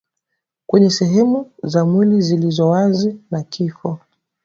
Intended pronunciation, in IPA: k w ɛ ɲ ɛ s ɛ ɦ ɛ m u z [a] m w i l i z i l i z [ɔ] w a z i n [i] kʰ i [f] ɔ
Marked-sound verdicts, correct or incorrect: correct, correct, incorrect, correct

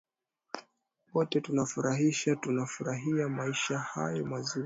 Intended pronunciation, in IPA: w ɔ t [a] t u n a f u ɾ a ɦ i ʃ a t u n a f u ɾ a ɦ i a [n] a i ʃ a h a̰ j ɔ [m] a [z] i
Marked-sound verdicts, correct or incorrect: incorrect, incorrect, correct, correct

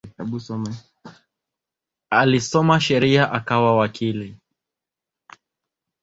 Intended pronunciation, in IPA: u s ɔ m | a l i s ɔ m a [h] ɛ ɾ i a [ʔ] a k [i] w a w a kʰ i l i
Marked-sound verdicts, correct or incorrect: incorrect, correct, incorrect

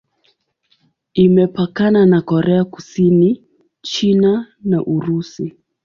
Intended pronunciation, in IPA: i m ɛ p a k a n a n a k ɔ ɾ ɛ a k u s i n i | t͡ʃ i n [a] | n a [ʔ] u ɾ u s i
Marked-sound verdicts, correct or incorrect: correct, correct

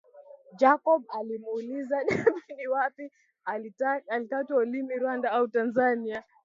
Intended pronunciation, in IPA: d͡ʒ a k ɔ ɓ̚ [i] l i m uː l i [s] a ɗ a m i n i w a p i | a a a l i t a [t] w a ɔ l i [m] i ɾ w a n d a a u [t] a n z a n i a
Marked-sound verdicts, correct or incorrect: incorrect, incorrect, correct, correct, correct

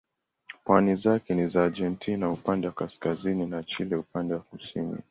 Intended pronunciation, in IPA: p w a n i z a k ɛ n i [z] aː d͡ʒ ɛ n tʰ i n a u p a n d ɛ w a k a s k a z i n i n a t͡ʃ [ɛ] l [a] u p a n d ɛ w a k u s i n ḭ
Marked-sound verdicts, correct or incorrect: correct, incorrect, incorrect

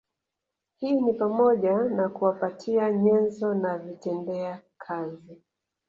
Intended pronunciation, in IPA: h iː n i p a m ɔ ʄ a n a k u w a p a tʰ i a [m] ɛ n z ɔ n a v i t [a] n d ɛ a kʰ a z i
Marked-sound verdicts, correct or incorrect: incorrect, incorrect

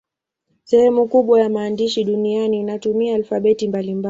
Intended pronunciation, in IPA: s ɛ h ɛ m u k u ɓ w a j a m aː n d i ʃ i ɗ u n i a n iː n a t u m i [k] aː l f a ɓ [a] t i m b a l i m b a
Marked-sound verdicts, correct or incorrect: incorrect, incorrect

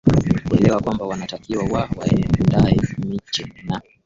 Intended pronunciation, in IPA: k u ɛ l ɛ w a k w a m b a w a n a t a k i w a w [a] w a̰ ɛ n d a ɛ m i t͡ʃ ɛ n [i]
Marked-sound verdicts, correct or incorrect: correct, incorrect

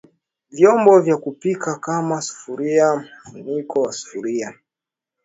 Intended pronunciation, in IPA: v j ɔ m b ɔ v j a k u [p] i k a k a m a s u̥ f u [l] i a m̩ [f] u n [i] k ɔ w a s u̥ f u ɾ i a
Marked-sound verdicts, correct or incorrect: correct, incorrect, correct, correct

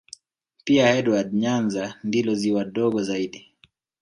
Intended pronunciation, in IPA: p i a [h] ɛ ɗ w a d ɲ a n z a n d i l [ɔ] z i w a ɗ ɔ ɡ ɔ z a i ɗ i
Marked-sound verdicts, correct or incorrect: correct, correct

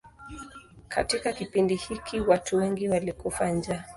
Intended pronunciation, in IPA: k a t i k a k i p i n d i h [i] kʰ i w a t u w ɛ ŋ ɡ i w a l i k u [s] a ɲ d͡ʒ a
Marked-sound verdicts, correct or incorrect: correct, incorrect

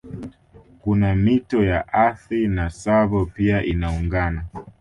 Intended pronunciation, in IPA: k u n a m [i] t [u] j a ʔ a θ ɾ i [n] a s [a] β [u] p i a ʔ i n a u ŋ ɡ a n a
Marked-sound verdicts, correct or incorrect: correct, incorrect, correct, correct, incorrect

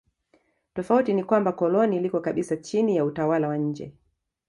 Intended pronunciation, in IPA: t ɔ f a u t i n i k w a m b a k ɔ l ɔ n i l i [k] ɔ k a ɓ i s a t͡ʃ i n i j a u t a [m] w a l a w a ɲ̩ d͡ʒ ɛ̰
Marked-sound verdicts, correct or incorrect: correct, incorrect

